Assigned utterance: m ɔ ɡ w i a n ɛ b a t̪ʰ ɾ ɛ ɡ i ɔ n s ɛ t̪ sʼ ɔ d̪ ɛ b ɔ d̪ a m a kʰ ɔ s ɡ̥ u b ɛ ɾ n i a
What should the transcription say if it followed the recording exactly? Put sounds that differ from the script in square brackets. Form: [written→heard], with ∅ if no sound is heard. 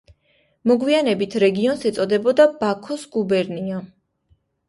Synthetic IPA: m ɔ ɡ w i a n ɛ b [a→i] t̪ʰ ɾ ɛ ɡ i ɔ n s ɛ t̪ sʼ ɔ d̪ ɛ b ɔ d̪ a [m→b] a kʰ ɔ s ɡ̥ u b ɛ ɾ n i a